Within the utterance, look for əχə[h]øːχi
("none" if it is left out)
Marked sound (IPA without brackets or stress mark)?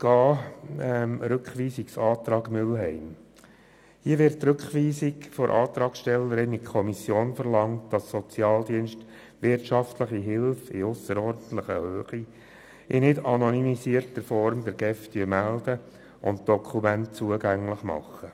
h